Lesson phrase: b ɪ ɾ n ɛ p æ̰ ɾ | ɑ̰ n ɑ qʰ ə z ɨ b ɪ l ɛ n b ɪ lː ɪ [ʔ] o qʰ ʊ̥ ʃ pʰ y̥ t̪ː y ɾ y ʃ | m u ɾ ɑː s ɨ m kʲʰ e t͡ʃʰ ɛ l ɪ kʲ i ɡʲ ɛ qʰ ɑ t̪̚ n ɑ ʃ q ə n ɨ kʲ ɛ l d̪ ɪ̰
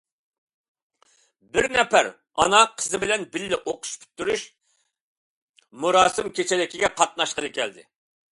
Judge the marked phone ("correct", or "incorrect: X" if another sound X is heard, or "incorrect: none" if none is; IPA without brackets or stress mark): correct